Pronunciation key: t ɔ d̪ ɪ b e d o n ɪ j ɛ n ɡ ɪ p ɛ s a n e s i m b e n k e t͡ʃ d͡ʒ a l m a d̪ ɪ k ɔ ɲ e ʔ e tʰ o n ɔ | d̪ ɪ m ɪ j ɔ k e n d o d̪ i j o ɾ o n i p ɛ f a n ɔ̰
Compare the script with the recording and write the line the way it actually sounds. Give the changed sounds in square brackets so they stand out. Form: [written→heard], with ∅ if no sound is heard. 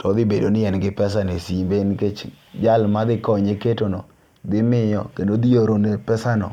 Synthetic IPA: t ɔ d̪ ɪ b e d o n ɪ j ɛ n ɡ ɪ p ɛ s a n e s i m b e n k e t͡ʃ d͡ʒ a l m a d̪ ɪ k ɔ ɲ e [ʔ→k] e [tʰ→t] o n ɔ | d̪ ɪ m ɪ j ɔ k e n d o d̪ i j o ɾ o n [i→e] p ɛ [f→s] a n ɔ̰